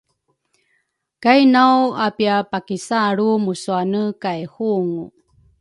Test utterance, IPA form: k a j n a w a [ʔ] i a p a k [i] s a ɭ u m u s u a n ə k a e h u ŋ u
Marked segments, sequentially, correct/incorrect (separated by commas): incorrect, correct